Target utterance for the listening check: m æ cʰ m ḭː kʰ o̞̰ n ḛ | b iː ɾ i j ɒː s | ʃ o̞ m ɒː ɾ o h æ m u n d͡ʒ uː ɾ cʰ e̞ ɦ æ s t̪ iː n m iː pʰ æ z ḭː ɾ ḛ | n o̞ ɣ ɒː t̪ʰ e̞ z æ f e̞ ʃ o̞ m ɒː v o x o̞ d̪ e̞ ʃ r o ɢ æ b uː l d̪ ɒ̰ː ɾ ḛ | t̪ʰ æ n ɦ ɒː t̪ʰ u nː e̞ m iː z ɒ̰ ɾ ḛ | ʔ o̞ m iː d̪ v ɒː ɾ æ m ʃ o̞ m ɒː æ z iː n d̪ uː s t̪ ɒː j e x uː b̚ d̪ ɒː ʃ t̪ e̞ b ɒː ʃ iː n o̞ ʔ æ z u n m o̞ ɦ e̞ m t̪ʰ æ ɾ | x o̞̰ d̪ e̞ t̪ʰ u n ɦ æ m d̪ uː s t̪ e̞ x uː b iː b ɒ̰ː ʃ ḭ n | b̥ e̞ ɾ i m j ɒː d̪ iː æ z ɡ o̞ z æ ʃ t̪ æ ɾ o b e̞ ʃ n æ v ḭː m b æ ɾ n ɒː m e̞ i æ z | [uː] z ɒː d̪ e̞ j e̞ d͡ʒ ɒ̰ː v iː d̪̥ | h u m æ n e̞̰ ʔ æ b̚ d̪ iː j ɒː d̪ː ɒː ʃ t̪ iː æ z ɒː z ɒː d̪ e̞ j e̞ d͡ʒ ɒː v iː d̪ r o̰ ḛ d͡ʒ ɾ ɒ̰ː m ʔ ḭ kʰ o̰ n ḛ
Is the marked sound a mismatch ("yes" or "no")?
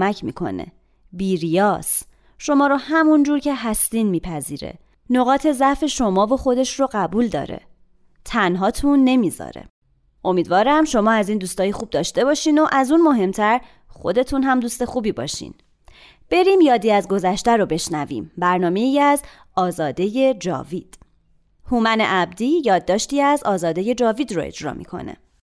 yes